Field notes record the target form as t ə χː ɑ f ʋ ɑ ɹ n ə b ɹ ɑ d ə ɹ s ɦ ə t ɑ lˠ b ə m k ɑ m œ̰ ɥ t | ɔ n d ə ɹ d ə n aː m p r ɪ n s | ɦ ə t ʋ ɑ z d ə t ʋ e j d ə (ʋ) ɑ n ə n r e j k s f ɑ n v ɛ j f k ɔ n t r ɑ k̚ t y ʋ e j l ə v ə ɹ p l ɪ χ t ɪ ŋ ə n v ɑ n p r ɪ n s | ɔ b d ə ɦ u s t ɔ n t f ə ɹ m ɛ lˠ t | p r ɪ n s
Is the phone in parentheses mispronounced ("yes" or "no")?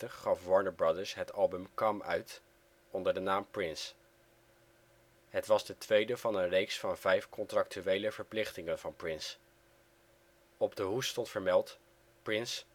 yes